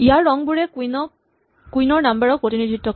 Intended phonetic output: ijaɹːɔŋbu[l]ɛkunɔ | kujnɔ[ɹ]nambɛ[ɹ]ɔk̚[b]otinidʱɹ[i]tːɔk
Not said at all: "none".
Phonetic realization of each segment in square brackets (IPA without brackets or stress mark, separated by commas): ɹ, ɹ, ɹ, p, i